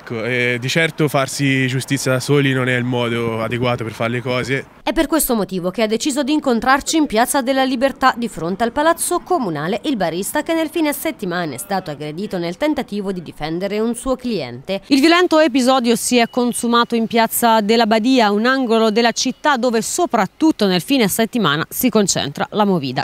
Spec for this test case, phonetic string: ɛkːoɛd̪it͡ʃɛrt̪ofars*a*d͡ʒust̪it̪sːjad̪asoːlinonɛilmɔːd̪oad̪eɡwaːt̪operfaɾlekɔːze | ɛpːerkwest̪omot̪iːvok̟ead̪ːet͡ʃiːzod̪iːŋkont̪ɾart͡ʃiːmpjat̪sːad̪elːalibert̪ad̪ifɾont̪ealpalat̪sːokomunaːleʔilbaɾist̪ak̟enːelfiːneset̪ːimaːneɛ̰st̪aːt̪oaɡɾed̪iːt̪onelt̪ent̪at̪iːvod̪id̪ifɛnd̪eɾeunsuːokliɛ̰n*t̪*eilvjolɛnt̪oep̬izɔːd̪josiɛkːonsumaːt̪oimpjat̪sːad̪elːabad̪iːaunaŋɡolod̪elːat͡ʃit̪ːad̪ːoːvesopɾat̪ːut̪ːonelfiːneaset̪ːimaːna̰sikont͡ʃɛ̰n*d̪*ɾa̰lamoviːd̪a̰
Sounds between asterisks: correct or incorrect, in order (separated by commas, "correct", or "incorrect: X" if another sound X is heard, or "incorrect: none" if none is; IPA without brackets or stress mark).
incorrect: i, correct, incorrect: t̪